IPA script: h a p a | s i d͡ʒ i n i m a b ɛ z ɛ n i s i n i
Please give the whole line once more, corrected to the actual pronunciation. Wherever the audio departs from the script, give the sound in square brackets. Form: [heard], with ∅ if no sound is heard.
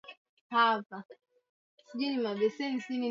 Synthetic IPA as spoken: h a p a | s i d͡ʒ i n i m a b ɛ [s] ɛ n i s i n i